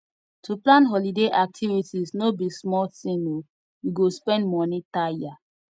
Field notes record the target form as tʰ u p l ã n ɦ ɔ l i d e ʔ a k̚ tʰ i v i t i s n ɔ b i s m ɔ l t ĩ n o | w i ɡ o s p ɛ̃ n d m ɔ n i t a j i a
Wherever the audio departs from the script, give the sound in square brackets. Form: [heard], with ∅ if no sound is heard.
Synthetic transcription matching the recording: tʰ u p l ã n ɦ ɔ l i d e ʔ a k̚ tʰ i v i t i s n [o] b i s m ɔ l t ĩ n o | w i ɡ o s p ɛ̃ n d m ɔ n i t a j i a